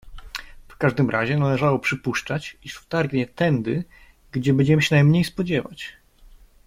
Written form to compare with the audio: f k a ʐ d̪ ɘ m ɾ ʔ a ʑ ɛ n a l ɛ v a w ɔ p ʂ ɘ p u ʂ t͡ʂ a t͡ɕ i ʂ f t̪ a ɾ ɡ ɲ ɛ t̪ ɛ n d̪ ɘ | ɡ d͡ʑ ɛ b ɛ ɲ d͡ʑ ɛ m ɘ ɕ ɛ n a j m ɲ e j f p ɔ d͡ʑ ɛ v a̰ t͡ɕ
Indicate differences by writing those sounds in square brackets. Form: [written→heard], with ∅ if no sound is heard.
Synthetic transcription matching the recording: f k a ʐ d̪ ɘ m ɾ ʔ a ʑ ɛ n a l ɛ [v→ʐ] a w ɔ p ʂ ɘ p u ʂ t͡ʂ a t͡ɕ i ʂ f t̪ a ɾ ɡ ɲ ɛ t̪ ɛ n d̪ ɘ | ɡ d͡ʑ ɛ b ɛ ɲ d͡ʑ ɛ m ɘ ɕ ɛ n a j m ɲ e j [f→s] p ɔ d͡ʑ ɛ v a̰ t͡ɕ

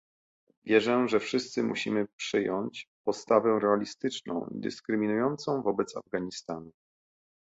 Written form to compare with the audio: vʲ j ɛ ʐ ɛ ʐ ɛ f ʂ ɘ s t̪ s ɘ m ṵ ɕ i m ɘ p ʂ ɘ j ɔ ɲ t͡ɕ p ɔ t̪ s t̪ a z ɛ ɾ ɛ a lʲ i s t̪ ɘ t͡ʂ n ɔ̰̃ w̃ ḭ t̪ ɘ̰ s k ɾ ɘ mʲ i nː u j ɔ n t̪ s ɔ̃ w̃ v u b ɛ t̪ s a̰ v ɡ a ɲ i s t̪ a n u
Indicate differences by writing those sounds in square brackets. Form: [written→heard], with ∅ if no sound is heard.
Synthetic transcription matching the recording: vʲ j ɛ ʐ ɛ ʐ ɛ f ʂ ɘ s t̪ s ɘ m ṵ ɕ i m ɘ p ʂ ɘ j ɔ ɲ t͡ɕ p ɔ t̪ s t̪ a [z→v] ɛ ɾ ɛ a lʲ i s t̪ ɘ t͡ʂ n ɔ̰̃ w̃ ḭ [t̪→d̪] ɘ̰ s k ɾ ɘ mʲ i [nː→n] u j ɔ n t̪ s ɔ̃ w̃ v [u→ɔ] b ɛ t̪ s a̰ v ɡ a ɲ i s t̪ a n u

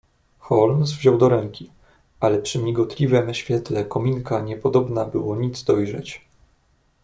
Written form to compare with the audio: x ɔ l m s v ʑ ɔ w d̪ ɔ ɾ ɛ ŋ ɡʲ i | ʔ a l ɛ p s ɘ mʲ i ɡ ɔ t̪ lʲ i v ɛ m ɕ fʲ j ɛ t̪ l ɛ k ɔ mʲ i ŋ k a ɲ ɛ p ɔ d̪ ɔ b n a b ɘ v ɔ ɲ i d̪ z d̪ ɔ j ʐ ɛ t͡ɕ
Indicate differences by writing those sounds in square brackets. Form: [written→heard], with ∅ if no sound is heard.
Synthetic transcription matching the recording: x ɔ l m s v ʑ ɔ w d̪ ɔ ɾ ɛ ŋ [ɡʲ→kʲ] i | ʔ a l ɛ p [s→ʂ] ɘ mʲ i ɡ ɔ t̪ lʲ i v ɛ m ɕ fʲ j ɛ t̪ l ɛ k ɔ mʲ i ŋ k a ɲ ɛ p ɔ d̪ ɔ b n a b ɘ [v→w] ɔ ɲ i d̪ z d̪ ɔ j ʐ ɛ t͡ɕ

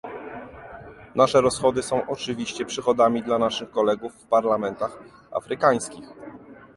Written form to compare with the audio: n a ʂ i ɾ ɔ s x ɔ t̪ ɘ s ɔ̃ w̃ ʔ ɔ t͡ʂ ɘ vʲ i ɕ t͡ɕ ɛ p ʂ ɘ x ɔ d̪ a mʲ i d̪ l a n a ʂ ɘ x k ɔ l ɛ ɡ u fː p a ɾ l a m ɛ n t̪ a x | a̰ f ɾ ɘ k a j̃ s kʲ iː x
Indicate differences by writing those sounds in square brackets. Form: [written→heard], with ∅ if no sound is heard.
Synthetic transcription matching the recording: n a ʂ [i→ɛ] ɾ ɔ s x ɔ [t̪→d̪] ɘ s ɔ̃ w̃ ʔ ɔ t͡ʂ ɘ vʲ i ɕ t͡ɕ ɛ p ʂ ɘ x ɔ d̪ a mʲ i d̪ l a n a ʂ ɘ x k ɔ l ɛ ɡ u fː p a ɾ l a m ɛ n t̪ a x | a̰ f ɾ ɘ k a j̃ s kʲ [iː→i] x

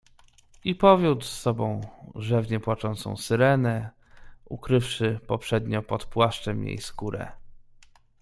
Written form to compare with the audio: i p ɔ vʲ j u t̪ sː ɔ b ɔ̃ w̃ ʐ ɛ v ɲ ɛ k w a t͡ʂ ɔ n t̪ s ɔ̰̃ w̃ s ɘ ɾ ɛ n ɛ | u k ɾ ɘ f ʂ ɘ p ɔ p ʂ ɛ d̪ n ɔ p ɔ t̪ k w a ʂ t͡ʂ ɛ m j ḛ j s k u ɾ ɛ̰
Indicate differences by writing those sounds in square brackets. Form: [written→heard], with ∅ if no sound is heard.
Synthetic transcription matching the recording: i p ɔ vʲ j u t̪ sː ɔ b ɔ̃ w̃ ʐ ɛ v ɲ ɛ [k→p] w a t͡ʂ ɔ n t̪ s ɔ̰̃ w̃ s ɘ ɾ ɛ n ɛ | u k ɾ ɘ f ʂ ɘ p ɔ p ʂ ɛ d̪ [n→ɲ] ɔ p ɔ t̪ [k→p] w a ʂ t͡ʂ ɛ m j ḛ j s k u ɾ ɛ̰

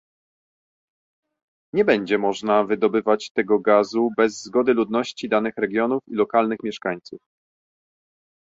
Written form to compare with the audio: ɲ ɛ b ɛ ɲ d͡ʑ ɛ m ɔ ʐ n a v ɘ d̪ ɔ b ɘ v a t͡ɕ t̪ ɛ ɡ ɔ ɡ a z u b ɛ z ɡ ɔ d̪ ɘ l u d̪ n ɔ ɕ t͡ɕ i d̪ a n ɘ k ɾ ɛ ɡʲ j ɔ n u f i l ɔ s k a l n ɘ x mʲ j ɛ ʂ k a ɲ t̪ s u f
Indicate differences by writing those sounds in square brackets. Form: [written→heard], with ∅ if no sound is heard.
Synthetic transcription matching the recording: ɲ ɛ b ɛ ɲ d͡ʑ ɛ m ɔ ʐ n a v ɘ d̪ ɔ b ɘ v a t͡ɕ t̪ ɛ ɡ ɔ ɡ a z u b ɛ [z→zː] ɡ ɔ d̪ ɘ l u d̪ n ɔ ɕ t͡ɕ i d̪ a n ɘ [k→x] ɾ ɛ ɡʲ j ɔ n u f i l ɔ [s→∅] k a l n ɘ x mʲ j ɛ ʂ k a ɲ t̪ s u f

